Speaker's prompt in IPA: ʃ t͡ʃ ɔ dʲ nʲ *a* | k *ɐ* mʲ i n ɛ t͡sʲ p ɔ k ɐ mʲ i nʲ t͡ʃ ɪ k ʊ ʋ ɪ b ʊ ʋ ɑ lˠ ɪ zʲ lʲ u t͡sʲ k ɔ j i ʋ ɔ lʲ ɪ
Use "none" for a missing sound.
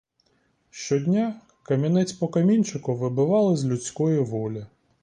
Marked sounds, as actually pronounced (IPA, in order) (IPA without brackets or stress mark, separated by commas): a, ɐ